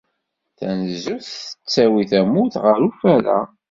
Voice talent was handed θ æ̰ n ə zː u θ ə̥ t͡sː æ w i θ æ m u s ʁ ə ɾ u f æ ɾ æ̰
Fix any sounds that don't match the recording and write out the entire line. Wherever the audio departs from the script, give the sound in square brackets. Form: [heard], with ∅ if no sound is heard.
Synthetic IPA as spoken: θ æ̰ n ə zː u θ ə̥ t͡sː æ w i θ æ m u [θ] ʁ ə ɾ u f æ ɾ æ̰